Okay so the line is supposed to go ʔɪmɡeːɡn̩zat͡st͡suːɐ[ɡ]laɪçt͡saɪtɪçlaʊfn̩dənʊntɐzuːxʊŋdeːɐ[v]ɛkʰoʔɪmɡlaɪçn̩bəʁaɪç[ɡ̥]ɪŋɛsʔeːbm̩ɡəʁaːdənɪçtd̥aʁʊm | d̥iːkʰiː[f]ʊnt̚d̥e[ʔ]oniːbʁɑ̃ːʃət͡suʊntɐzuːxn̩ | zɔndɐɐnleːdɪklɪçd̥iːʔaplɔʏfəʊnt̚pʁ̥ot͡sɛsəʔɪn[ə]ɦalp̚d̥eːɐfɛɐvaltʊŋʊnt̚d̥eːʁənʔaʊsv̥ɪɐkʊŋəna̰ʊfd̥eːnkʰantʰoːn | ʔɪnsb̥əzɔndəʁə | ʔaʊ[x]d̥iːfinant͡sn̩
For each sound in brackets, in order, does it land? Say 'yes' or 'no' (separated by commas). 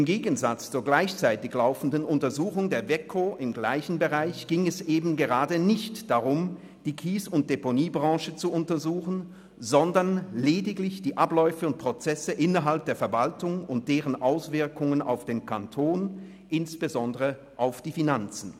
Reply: yes, yes, yes, no, no, no, no